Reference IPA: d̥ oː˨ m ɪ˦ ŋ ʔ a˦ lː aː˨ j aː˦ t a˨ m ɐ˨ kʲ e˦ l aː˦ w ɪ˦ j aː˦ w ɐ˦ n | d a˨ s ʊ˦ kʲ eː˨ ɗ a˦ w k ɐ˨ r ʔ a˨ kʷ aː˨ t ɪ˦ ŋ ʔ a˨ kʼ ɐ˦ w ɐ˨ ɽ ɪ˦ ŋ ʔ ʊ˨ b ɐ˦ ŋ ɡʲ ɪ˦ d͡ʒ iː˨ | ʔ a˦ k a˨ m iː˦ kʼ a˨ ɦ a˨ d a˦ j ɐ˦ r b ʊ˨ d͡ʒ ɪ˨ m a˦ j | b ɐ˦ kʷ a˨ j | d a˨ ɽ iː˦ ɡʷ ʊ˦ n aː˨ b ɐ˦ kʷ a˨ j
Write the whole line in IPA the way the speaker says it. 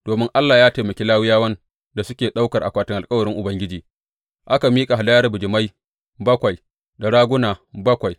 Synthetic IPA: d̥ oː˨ m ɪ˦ ŋ ʔ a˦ lː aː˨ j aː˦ t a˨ m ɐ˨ kʲ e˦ l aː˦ w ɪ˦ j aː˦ w ɐ˦ n | d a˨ s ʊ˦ kʲ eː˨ ɗ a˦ w k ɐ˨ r ʔ a˨ kʷ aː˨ t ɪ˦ ŋ ʔ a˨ kʼ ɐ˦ w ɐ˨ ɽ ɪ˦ ŋ ʔ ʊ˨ b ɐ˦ ŋ ɡʲ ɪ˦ d͡ʒ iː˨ | ʔ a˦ k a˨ m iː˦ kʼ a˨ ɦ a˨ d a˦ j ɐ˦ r b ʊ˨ d͡ʒ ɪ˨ m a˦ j | b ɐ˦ kʷ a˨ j | d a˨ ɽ aː˦ ɡʷ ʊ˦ n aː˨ b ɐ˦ kʷ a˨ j